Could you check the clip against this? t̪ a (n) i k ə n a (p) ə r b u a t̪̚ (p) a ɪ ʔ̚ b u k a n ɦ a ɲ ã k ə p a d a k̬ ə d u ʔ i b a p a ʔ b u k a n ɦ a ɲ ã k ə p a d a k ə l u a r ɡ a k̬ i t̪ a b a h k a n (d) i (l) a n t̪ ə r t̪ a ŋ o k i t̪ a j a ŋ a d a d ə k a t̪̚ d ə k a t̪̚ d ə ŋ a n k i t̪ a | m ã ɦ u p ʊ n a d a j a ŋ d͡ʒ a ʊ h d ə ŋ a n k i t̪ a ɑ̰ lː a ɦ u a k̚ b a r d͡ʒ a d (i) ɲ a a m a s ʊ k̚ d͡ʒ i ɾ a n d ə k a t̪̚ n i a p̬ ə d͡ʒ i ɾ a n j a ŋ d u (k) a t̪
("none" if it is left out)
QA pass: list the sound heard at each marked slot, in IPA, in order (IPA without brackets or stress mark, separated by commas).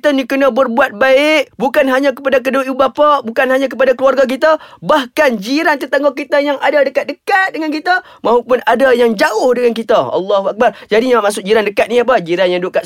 n, b, b, d͡ʒ, ɾ, i, k